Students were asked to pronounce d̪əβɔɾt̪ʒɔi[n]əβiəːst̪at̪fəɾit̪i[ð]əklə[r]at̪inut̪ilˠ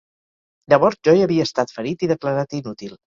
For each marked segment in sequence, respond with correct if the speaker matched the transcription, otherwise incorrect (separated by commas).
incorrect, correct, incorrect